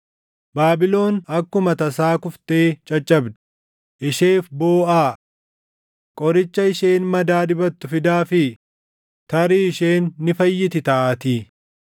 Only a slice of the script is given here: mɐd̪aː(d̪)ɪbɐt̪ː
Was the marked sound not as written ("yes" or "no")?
no